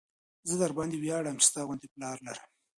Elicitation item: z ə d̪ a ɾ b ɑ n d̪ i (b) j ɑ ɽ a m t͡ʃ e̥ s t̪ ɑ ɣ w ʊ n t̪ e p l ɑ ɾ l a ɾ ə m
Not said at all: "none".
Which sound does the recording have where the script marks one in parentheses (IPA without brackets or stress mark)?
w